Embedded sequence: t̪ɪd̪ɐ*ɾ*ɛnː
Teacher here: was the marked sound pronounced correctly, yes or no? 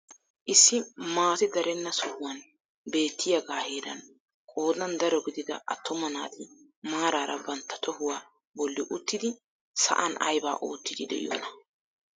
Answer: yes